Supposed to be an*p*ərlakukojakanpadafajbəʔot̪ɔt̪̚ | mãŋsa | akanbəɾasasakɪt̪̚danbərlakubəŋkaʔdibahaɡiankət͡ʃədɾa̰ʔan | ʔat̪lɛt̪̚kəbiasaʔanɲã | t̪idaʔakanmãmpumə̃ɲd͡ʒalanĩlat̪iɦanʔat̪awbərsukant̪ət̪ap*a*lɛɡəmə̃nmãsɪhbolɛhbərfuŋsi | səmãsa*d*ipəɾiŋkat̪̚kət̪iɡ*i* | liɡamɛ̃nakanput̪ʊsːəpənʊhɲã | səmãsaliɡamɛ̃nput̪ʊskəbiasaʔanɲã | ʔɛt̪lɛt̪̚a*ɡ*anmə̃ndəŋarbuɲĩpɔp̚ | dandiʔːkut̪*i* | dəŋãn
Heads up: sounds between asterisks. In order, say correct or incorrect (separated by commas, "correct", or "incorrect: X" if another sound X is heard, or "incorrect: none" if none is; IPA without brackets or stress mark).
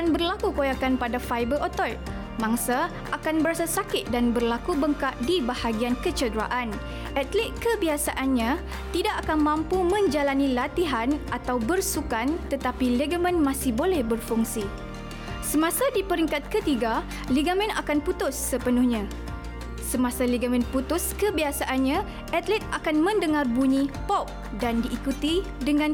incorrect: b, incorrect: i, correct, incorrect: a, incorrect: k, correct